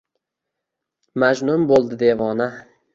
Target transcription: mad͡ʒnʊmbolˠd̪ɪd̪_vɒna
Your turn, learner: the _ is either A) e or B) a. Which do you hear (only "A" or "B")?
A